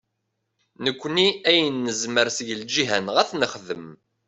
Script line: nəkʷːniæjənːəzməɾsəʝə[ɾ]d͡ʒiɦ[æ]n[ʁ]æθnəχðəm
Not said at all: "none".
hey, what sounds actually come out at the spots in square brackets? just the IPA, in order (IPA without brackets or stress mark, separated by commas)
l, æ, ʁ